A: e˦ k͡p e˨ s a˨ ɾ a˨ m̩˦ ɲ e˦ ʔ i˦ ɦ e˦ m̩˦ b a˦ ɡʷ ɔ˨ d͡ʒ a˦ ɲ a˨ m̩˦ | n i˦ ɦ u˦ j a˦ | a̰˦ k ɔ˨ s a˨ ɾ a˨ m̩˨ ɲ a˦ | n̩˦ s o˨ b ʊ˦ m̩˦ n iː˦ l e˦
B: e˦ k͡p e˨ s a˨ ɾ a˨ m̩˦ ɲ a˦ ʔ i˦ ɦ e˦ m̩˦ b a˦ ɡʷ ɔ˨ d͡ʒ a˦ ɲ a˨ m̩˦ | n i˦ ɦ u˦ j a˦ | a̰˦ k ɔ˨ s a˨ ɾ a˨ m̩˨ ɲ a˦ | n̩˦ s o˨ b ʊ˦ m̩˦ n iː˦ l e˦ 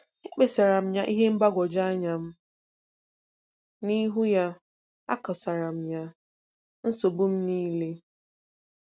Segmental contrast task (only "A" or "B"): B